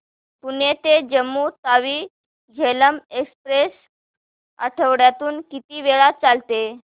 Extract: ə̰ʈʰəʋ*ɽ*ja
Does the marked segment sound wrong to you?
no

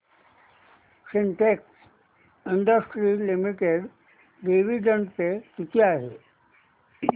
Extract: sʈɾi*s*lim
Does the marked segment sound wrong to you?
yes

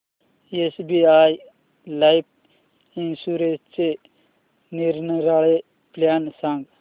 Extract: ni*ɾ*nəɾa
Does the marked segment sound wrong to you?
no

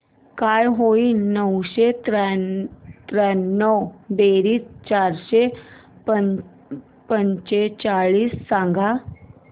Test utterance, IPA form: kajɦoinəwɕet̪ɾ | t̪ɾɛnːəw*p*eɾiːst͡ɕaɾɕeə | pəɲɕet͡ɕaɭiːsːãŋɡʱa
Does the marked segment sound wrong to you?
yes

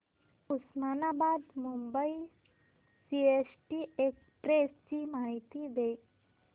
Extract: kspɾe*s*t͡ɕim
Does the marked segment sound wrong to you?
no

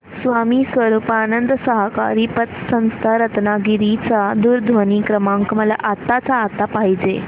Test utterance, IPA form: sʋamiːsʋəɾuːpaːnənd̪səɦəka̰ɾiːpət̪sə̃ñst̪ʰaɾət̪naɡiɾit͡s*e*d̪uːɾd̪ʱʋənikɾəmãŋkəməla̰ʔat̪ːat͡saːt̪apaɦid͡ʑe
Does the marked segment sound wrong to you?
yes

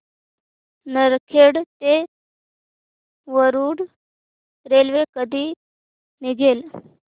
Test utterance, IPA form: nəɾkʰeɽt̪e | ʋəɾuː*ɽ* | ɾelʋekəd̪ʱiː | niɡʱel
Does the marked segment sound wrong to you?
no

